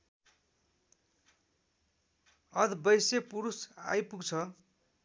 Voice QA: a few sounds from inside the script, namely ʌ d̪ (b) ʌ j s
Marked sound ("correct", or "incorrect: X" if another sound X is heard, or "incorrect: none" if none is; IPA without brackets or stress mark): correct